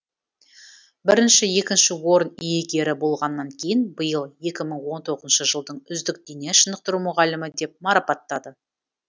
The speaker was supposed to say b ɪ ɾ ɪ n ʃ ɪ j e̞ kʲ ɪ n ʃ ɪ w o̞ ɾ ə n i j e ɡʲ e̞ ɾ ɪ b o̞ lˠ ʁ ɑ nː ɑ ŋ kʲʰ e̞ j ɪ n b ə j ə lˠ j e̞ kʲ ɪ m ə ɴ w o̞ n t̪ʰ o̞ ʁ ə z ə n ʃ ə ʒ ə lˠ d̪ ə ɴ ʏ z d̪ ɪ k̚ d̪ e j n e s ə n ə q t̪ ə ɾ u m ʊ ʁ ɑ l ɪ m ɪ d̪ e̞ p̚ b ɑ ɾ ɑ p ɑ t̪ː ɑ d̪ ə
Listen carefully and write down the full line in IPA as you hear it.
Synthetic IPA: b ɪ ɾ ɪ n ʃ ɪ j e̞ kʲ ɪ n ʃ ɪ w o̞ ɾ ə n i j e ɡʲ e̞ ɾ ɪ b o̞ lˠ ʁ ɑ nː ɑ ŋ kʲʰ e̞ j ɪ n b ə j ə lˠ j e̞ kʲ ɪ m ə ɴ w o̞ n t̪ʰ o̞ ʁ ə z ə n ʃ ə ʒ ə lˠ d̪ ə ɴ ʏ z d̪ ɪ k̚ d̪ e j n e ʃ ə n ə q t̪ ə ɾ u m ʊ ʁ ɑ l ɪ m ɪ d̪ e̞ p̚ m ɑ ɾ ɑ p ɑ t̪ː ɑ d̪ ə